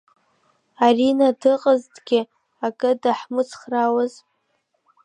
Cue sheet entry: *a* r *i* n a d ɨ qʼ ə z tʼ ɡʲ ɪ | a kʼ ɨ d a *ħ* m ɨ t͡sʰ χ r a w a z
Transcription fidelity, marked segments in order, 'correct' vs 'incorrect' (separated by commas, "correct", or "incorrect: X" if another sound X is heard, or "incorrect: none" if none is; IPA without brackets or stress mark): correct, correct, correct